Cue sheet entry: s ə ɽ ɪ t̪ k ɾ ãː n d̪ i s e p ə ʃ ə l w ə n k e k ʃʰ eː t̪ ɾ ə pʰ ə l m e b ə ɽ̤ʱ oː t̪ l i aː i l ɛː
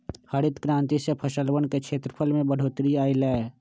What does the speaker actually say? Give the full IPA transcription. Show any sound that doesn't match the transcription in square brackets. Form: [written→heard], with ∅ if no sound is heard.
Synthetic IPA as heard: [s→h] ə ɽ ɪ t̪ k ɾ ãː n [d̪→t̪] i s e [p→pʰ] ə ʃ ə l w ə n k e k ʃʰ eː t̪ ɾ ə pʰ ə l m [e→ẽ] b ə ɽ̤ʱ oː t̪ [l→ɾ] i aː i l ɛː

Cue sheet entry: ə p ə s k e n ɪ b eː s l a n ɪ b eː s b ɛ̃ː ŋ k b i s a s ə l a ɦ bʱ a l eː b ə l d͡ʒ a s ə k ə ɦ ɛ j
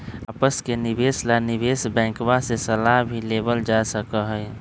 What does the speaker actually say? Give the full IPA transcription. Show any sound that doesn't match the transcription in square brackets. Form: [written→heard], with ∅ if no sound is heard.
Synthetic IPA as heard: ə p ə s k e n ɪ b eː s l a n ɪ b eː s b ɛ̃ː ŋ k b [i→a] s [a→e] s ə l a ɦ bʱ [a→i] l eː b ə l d͡ʒ a s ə k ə ɦ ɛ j

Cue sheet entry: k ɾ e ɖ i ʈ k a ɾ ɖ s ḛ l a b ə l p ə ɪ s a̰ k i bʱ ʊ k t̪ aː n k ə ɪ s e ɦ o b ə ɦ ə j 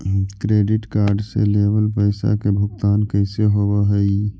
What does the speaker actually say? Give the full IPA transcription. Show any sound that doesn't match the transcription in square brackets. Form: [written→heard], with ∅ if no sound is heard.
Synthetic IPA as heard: k ɾ e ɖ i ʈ k a ɾ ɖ s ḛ l [a→e] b ə l p ə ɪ s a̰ k [i→e] bʱ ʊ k t̪ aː n k ə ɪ s e ɦ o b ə ɦ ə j

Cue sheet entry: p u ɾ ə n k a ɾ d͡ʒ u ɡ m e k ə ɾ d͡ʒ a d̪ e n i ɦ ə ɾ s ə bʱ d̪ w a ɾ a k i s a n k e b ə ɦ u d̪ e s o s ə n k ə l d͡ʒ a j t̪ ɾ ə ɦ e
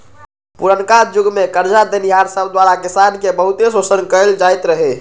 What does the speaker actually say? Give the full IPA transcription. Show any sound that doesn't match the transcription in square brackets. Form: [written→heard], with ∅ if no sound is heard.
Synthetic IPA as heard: p u ɾ ə n k a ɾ d͡ʒ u ɡ m e k ə ɾ d͡ʒ a d̪ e n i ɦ [ə→a] ɾ s ə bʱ d̪ w a ɾ a k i s a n k e b ə ɦ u [d̪→t̪] e s o s ə n k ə l d͡ʒ a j t̪ ɾ ə ɦ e

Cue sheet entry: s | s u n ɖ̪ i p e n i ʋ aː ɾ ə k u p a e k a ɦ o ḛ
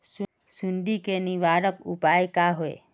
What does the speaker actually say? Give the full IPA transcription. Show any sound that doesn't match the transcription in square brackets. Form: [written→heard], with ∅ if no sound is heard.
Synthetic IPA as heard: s | s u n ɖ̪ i [p→k] e n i ʋ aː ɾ ə k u p a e k a ɦ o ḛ

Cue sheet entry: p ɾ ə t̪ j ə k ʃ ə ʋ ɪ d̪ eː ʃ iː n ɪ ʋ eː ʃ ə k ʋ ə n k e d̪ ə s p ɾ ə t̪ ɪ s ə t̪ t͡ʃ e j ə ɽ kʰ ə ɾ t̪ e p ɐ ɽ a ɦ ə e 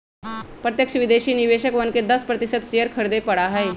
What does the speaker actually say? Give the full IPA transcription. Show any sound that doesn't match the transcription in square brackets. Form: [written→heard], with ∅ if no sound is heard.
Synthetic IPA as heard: p ɾ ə t̪ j ə k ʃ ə ʋ ɪ d̪ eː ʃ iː n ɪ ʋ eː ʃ ə k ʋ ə n k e d̪ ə s p ɾ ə t̪ ɪ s ə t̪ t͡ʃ e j ə [ɽ→ɾ] kʰ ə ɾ [t̪→d̪] e p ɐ ɽ a ɦ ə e

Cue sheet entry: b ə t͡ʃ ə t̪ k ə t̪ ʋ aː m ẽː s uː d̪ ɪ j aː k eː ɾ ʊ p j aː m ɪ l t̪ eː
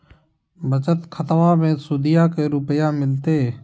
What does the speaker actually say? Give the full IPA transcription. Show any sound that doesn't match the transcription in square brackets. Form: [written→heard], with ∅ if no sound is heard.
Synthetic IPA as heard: b ə t͡ʃ ə t̪ [k→kʰ] ə t̪ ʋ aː m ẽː s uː d̪ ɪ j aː k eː ɾ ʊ p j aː m ɪ l t̪ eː

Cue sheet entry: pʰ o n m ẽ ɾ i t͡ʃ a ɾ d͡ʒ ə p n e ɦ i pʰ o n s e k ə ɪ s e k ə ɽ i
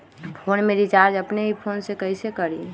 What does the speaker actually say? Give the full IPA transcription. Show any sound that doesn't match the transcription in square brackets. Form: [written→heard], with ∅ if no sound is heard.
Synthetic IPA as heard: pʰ o n m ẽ ɾ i t͡ʃ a ɾ d͡ʒ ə p n e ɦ i pʰ o n s e k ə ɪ s e k ə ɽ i

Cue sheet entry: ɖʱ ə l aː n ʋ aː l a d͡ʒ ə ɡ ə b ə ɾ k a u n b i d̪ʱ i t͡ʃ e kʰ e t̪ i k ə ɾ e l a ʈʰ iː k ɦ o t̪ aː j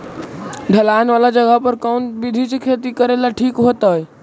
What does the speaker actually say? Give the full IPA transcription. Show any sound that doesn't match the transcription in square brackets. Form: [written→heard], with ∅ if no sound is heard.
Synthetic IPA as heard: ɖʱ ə l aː n ʋ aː l a d͡ʒ ə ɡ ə [b→p] ə ɾ k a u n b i d̪ʱ i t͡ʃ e kʰ e t̪ i k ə ɾ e l a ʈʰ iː k ɦ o t̪ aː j

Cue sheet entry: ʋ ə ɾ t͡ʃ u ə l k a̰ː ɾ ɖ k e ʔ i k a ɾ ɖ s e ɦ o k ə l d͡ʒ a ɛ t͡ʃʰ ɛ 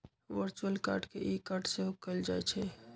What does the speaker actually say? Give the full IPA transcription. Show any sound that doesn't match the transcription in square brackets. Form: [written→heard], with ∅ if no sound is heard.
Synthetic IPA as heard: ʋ ə ɾ t͡ʃ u ə l k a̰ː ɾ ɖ k e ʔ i k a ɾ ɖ s e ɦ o k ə l d͡ʒ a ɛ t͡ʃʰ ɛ

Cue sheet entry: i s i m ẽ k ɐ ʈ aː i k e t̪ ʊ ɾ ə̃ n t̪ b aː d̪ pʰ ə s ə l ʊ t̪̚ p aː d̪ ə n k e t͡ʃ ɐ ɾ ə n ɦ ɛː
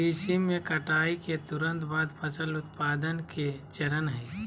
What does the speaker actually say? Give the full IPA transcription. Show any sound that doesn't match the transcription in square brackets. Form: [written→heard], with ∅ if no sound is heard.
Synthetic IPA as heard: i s i m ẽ k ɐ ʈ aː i k e t̪ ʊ ɾ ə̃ n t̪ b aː d̪ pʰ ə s ə l ʊ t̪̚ p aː d̪ ə n k e t͡ʃ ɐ ɾ ə n ɦ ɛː

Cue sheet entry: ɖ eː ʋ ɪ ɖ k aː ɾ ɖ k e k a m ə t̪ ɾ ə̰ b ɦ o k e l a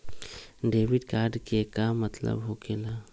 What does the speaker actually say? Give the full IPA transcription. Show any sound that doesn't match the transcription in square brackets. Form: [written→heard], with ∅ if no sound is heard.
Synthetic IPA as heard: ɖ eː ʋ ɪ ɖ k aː ɾ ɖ k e k a m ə t̪ [ɾ→l] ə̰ b ɦ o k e l a

